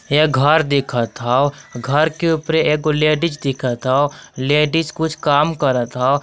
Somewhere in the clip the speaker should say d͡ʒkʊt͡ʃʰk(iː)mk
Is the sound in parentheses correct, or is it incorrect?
incorrect